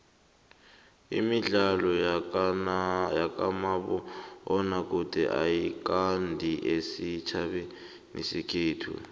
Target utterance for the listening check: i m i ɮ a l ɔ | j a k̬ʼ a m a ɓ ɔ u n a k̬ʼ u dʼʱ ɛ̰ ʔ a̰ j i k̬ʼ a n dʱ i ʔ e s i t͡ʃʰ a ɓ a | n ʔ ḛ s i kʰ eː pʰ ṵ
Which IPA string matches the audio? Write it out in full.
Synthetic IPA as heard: i m i ɮ a l ɔ | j a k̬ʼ a m a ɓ ɔ ɔ n a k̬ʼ u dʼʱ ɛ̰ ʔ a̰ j i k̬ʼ a n dʱ i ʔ e s i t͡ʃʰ a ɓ ɛ | n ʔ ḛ s i kʰ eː tʰ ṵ